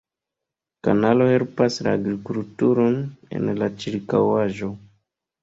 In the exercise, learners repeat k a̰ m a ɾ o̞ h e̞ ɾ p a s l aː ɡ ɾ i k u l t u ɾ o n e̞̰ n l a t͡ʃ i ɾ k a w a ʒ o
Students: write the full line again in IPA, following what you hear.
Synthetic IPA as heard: k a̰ n a l o̞ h e̞ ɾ p a s l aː ɡ ɾ i k u l t u ɾ o n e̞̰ n l a t͡ʃ i ɾ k a w a ʒ o